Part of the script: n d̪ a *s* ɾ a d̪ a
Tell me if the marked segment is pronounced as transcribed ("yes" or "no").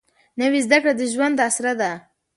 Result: yes